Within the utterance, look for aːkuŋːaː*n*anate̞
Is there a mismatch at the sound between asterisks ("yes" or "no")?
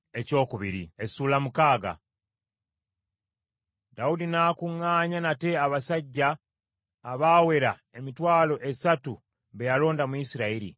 yes